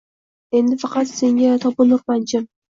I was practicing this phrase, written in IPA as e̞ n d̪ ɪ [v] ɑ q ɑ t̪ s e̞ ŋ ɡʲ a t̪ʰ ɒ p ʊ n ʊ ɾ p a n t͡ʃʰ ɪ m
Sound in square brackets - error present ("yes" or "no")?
yes